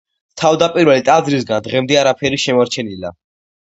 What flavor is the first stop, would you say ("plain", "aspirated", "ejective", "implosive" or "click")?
aspirated